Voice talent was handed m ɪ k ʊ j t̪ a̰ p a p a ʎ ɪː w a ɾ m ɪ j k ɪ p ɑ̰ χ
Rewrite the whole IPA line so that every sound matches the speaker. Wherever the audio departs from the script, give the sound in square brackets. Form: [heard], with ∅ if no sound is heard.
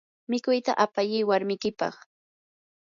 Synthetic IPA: m ɪ k ʊ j t̪ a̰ [ʔ] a p a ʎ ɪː w a ɾ m ɪ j k ɪ p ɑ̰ χ